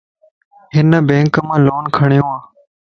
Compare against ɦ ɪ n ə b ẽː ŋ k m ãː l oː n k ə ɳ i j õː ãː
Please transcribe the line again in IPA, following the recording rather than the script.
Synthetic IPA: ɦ ɪ n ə b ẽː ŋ k m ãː l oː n kʰ ə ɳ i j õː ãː

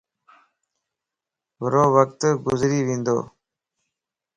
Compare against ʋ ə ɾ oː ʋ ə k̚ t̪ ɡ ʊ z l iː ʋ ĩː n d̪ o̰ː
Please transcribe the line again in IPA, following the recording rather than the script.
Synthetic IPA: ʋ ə ɾ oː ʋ ə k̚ t̪ ɡ ʊ z ɾ iː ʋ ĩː n d̪ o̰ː

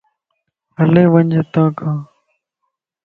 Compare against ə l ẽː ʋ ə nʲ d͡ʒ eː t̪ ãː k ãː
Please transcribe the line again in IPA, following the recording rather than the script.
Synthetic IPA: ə l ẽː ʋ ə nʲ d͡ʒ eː t̪ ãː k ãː

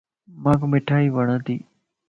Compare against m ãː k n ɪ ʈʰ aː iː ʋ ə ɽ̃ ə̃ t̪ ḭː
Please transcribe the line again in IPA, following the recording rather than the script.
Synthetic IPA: m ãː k m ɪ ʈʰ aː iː ʋ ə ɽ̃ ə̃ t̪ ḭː

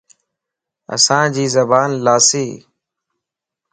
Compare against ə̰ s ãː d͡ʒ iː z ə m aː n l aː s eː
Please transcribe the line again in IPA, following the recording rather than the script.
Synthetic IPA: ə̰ s ãː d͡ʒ iː z ə b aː n l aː s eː

